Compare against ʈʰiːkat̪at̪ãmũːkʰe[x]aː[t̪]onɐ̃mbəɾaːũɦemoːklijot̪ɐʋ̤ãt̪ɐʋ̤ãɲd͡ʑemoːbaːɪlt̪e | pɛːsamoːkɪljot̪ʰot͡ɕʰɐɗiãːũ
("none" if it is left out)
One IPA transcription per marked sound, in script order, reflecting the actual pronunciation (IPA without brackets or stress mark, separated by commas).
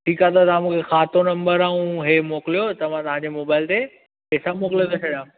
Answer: x, t̪